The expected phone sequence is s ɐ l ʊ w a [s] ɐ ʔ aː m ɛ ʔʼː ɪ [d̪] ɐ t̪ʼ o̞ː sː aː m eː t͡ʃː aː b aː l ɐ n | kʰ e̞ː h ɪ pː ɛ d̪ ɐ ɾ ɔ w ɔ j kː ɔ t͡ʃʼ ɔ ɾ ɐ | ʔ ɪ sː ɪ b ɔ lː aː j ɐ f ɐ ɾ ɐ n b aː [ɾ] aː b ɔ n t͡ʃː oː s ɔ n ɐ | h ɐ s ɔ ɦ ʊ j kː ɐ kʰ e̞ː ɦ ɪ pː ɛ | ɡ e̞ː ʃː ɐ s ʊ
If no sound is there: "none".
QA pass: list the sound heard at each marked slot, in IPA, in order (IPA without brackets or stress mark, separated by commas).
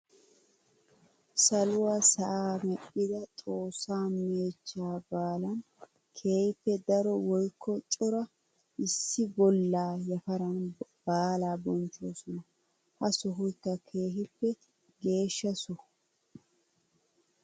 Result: s, d̪, l